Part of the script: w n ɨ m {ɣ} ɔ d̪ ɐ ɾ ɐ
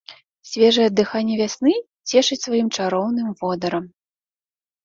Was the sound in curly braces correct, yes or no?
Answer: no